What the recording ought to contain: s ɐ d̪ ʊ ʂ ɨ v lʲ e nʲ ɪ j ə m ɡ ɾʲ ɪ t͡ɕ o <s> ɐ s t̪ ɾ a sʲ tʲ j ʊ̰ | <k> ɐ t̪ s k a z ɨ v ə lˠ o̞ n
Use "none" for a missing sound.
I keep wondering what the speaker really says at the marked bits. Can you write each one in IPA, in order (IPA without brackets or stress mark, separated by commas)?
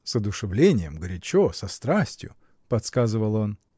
s, p